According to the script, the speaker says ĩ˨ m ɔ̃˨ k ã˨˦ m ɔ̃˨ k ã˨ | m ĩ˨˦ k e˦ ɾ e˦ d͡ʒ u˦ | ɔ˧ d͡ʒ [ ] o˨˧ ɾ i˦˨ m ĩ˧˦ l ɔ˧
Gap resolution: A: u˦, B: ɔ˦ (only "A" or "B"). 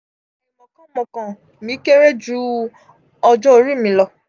B